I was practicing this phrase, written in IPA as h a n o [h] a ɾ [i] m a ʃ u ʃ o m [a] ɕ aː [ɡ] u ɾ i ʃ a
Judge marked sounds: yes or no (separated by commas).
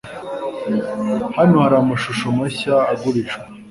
yes, no, yes, yes